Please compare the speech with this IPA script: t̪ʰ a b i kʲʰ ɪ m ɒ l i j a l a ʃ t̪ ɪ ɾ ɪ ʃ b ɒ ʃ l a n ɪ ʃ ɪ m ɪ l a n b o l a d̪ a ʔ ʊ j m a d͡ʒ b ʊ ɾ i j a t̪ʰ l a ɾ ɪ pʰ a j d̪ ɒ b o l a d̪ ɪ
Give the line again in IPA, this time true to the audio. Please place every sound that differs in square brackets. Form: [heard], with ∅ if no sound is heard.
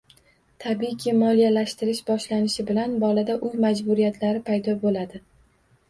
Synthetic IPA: t̪ʰ a b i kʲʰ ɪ m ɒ l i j a l a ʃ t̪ ɪ ɾ ɪ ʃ b ɒ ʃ l a n ɪ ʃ ɪ [b] ɪ l a n b [ɒ] l a d̪ a ʔ ʊ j m a d͡ʒ b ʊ ɾ i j a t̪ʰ l a ɾ ɪ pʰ a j d̪ ɒ b o l a d̪ ɪ